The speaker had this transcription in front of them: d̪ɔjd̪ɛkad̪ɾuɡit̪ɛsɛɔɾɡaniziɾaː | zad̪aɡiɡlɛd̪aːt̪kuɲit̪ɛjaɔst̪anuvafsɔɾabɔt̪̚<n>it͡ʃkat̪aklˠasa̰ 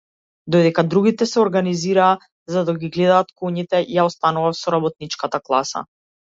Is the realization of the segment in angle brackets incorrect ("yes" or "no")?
no